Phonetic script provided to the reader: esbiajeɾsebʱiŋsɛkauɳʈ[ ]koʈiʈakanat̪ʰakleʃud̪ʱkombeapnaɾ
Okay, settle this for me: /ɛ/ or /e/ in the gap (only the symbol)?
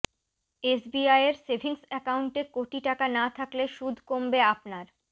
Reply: e